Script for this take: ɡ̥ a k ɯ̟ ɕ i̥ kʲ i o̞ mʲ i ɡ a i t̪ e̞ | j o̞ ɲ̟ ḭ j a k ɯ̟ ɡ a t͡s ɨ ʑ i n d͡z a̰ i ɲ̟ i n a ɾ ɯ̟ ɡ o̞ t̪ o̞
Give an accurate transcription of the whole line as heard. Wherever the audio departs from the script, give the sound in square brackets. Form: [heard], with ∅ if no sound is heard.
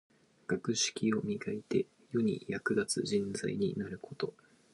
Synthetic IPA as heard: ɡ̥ a k ɯ̟ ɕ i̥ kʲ i o̞ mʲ i ɡ a i t̪ e̞ | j o̞ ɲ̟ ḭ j a k ɯ̟ ɡ a t͡s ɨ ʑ [ĩ] n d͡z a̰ i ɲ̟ i n a ɾ ɯ̟ [k] o̞ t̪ o̞

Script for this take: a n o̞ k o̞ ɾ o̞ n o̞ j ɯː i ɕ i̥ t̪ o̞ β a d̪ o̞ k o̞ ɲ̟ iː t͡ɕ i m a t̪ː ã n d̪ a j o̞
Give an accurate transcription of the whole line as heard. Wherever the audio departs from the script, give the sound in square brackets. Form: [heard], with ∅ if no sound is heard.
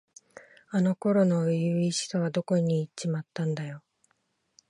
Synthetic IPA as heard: a n o̞ k o̞ ɾ o̞ n o̞ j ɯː i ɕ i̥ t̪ o̞ β a d̪ o̞ k o̞ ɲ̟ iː t͡ɕ i m a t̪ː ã n d̪ a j o̞

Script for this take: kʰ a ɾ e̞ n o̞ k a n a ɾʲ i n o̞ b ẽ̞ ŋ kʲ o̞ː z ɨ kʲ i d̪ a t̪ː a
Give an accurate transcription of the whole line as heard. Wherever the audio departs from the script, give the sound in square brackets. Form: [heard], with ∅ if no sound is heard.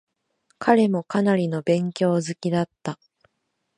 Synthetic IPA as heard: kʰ a ɾ e̞ [m] o̞ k a n a ɾʲ i n o̞ b ẽ̞ ŋ kʲ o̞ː z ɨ kʲ i d̪ a t̪ː a

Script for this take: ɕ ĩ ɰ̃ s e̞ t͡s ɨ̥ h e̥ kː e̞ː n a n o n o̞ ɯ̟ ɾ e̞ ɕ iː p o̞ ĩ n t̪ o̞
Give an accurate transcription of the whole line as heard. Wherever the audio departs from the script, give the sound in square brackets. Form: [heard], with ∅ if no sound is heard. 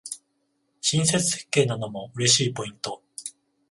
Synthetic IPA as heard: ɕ ĩ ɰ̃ s e̞ t͡s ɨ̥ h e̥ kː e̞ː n a n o [m] o̞ ɯ̟ ɾ e̞ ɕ iː p o̞ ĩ n t̪ o̞

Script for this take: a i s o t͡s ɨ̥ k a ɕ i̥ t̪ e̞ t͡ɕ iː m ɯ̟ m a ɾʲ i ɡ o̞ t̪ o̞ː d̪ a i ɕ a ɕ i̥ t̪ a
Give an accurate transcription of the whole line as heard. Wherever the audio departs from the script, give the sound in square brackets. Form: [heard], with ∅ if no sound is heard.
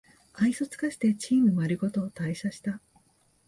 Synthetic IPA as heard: a i s o t͡s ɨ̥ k a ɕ i̥ t̪ e̞ t͡ɕ iː m ɯ̟ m a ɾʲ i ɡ o̞ t̪ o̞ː [t̪] a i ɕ a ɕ i̥ t̪ a

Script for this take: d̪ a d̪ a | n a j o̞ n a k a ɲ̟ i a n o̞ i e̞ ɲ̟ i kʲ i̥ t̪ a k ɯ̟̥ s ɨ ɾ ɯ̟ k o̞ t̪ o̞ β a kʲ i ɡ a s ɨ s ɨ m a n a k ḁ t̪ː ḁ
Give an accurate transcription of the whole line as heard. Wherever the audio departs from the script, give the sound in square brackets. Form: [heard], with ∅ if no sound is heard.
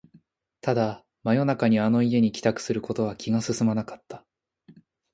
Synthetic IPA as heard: [t̪] a d̪ a | [m] a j o̞ n a k a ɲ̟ i a n o̞ i e̞ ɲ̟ i kʲ i̥ t̪ a k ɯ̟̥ s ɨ ɾ ɯ̟ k o̞ t̪ o̞ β a kʲ i ɡ a s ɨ s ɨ m a n a k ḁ t̪ː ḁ

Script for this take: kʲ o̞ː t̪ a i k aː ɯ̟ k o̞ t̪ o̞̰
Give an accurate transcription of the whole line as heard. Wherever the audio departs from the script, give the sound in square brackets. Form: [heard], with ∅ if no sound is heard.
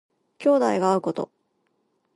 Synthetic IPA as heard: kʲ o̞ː [d̪] a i [ɡ] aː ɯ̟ k o̞ t̪ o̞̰

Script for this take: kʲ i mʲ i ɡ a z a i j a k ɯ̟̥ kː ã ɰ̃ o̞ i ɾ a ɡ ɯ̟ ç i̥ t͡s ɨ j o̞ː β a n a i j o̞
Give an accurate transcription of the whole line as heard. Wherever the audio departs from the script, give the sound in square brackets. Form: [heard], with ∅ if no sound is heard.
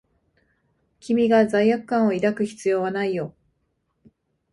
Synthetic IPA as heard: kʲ i mʲ i ɡ a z a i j a k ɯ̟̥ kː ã ɰ̃ o̞ i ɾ a [k] ɯ̟ ç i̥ t͡s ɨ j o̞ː β a n a i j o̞

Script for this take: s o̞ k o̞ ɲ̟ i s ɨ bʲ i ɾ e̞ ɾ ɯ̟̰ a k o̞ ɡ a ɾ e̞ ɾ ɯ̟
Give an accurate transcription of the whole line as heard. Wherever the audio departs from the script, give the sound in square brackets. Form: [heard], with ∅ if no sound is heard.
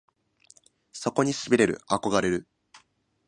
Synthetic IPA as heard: s o̞ k o̞ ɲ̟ i s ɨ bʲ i ɾ e̞ ɾ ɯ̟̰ a k o̞ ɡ a ɾ e̞ ɾ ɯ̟

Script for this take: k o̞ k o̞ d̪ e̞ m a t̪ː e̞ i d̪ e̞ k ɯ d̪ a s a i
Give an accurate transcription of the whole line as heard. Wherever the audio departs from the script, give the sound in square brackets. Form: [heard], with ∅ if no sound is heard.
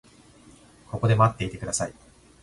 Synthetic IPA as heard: k o̞ k o̞ d̪ e̞ m a t̪ː e̞ i [t̪] e̞ k ɯ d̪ a s a i

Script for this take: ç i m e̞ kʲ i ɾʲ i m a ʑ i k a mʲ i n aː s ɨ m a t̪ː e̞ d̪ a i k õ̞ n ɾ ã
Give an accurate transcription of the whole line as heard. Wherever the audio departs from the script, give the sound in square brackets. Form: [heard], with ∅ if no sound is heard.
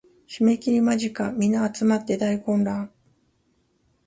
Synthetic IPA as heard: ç i m e̞ kʲ i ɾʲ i m a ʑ i k a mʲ i n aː [t͡s] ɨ m a t̪ː e̞ d̪ a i k õ̞ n ɾ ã

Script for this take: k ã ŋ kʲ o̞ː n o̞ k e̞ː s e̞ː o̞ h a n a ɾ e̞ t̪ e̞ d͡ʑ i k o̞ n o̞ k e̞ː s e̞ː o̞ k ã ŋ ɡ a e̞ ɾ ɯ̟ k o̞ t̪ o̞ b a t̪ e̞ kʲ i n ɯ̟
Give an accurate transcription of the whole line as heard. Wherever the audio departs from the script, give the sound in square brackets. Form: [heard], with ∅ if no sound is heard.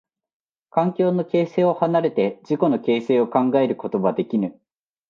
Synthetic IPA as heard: k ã ŋ kʲ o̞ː n o̞ k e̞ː s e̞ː o̞ h a n a ɾ e̞ t̪ e̞ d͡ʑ i k o̞ n o̞ k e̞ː s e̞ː o̞ k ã ŋ ɡ a e̞ ɾ ɯ̟ k o̞ t̪ o̞ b a [d̪] e̞ kʲ i n ɯ̟

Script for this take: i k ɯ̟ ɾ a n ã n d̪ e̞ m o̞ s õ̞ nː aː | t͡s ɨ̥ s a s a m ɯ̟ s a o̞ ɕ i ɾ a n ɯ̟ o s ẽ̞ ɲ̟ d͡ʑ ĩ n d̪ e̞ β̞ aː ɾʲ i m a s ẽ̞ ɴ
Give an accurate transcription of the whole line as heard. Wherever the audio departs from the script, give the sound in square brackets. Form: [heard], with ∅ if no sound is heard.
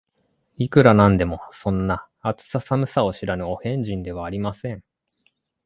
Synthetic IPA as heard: i k ɯ̟ ɾ a n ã n d̪ e̞ m o̞ s õ̞ nː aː | t͡s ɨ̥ s a s a m ɯ̟ s a o̞ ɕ i ɾ a n ɯ̟ o [h] ẽ̞ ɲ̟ d͡ʑ ĩ n d̪ e̞ β̞ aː ɾʲ i m a s ẽ̞ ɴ

